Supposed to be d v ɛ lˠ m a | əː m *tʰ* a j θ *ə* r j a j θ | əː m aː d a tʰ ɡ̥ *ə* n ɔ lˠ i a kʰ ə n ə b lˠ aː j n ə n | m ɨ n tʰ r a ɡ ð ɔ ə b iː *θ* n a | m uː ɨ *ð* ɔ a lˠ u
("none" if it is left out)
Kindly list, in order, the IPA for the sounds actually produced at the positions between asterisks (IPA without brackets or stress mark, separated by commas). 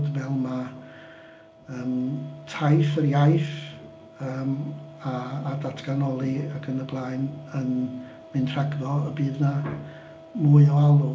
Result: tʰ, ə, a, ð, none